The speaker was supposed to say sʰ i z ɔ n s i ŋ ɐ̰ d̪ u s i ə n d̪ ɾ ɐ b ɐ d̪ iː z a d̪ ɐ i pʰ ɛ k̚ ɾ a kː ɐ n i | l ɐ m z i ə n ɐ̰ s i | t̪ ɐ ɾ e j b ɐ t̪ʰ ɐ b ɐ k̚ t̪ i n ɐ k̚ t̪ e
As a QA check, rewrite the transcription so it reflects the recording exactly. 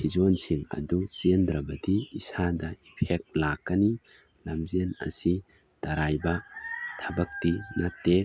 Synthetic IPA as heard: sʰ i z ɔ n s i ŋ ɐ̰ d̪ u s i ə n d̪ ɾ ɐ b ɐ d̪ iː s a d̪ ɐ i pʰ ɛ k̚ l a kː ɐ n i | l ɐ m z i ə n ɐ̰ s i | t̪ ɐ ɾ a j b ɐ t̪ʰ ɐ b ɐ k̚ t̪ i n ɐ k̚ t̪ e